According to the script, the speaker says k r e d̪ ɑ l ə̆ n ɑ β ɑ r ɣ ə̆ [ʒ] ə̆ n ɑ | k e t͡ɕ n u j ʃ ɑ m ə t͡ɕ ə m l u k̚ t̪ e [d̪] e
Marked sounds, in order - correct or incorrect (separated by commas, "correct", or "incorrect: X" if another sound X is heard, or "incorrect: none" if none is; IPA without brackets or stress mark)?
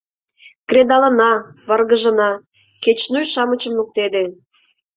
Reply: correct, correct